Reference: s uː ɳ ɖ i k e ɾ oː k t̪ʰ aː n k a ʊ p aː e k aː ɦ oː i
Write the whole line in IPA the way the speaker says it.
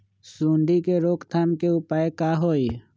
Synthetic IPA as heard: s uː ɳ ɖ i k e ɾ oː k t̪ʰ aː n k e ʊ p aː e k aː ɦ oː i